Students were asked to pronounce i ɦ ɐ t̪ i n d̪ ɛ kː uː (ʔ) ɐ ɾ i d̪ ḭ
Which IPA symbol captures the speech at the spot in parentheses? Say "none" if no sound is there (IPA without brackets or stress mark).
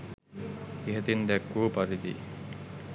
p